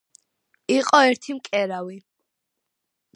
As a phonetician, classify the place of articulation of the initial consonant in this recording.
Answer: uvular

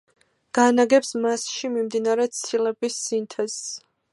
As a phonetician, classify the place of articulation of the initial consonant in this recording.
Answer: velar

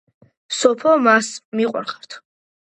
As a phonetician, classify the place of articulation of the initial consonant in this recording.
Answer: alveolar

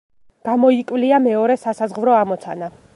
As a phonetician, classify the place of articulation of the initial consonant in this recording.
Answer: velar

